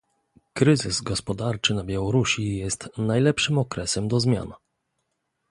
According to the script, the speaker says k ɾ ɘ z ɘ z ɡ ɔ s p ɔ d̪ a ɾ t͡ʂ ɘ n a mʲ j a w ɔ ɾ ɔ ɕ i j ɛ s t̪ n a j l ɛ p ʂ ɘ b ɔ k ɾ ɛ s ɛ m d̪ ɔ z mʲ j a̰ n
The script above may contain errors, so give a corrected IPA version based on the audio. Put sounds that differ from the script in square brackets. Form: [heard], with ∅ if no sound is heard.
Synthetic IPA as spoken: k ɾ ɘ z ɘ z ɡ ɔ s p ɔ d̪ a ɾ t͡ʂ ɘ n a [bʲ] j a w ɔ ɾ [u] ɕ i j ɛ s t̪ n a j l ɛ p ʂ ɘ [m] ɔ k ɾ ɛ s ɛ m d̪ ɔ z mʲ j a̰ n